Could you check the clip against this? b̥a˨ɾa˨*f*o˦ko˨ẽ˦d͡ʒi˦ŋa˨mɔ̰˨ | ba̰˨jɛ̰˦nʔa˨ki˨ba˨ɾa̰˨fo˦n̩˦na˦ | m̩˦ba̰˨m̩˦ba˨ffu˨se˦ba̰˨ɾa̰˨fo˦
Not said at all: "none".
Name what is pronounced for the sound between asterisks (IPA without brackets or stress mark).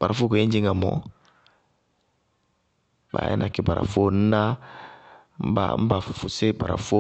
f